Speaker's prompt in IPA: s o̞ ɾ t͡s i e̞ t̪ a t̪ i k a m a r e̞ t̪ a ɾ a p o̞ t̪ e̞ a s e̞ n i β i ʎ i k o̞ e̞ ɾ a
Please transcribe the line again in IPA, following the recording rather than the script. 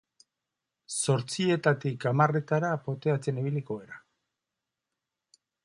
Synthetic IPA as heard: s o̞ ɾ t͡s i e̞ t̪ a t̪ i k a m a r e̞ t̪ a ɾ a p o̞ t̪ e̞ a t͡s e̞ n i β i l i k o̞ e̞ ɾ a